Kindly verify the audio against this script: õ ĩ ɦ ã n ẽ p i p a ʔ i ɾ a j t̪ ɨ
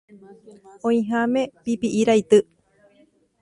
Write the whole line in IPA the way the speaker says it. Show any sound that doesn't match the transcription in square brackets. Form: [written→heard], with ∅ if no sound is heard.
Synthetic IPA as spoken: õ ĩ ɦ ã [n→m] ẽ p i p [a→i] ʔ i ɾ a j t̪ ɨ